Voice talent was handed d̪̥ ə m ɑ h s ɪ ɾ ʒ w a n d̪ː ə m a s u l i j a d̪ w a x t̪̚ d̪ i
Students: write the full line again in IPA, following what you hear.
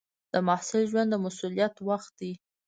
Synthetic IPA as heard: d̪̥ ə m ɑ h s ɪ l ʒ w a n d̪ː ə m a s u l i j a t̪ w a x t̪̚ d̪ i